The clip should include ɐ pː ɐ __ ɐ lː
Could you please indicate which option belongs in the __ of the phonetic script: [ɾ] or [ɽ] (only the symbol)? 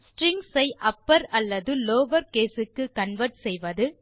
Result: ɾ